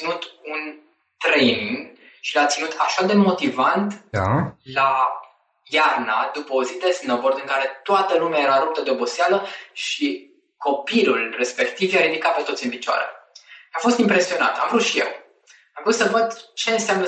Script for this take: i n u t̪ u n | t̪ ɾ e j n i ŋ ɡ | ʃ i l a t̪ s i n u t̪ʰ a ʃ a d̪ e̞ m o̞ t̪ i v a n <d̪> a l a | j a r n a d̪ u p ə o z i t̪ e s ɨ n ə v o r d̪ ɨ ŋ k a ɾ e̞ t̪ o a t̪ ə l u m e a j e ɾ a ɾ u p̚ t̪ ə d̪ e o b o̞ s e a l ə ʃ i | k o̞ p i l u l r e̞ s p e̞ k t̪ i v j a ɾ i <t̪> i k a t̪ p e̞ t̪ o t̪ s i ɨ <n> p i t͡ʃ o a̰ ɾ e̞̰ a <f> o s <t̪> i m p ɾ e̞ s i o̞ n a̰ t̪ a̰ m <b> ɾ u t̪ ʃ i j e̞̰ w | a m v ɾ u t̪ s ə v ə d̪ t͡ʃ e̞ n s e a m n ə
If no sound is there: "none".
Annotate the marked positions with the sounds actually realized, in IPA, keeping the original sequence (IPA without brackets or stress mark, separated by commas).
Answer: t̪, d̪, n, f, t̪, v